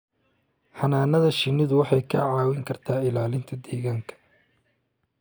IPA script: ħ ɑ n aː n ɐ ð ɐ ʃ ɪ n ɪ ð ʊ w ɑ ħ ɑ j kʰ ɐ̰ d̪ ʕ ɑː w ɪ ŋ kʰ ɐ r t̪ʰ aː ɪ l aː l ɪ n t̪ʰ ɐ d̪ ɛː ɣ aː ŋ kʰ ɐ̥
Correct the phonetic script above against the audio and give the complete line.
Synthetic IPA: ħ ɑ n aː n ɐ ð ɐ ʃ ɪ n ɪ ð ʊ w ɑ ħ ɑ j kʰ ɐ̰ ʕ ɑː w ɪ ŋ kʰ ɐ r t̪ʰ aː ɪ l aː l ɪ n t̪ʰ ɐ d̪ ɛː ɣ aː ŋ kʰ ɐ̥